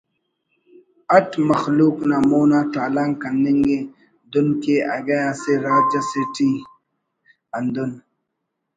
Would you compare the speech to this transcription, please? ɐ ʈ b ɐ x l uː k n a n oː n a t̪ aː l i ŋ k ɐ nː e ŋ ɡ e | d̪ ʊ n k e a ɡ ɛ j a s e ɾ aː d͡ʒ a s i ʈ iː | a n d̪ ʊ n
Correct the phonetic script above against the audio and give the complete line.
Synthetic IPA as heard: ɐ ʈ m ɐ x l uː k n a m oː n a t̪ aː l a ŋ k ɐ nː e ŋ ɡ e | d̪ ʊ n k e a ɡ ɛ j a s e ɾ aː d͡ʒ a s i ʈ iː | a n d̪ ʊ n